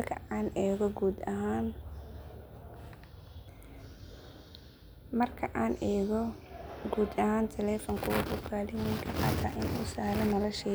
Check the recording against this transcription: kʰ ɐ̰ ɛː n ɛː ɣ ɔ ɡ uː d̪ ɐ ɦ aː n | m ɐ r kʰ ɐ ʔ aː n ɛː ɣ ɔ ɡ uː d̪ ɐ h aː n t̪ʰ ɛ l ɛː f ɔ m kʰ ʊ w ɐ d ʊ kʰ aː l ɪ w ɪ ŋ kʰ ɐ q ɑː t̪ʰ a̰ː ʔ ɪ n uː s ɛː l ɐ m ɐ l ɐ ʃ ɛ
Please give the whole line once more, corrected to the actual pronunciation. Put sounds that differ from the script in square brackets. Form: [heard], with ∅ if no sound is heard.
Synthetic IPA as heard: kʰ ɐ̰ [aː] n ɛː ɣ ɔ ɡ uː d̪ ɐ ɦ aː n | m ɐ r kʰ ɐ ʔ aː n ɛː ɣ ɔ ɡ uː d̪ ɐ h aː n t̪ʰ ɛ l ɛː f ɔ [ŋ] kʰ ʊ w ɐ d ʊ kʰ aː l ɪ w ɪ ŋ kʰ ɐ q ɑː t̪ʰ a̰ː ʔ ɪ n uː s [aː] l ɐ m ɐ l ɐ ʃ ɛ